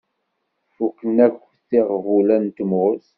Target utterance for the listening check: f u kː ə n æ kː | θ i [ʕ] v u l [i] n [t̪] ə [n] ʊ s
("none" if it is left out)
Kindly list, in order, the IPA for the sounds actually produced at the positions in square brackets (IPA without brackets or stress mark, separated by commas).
ʁ, æ, t̪, m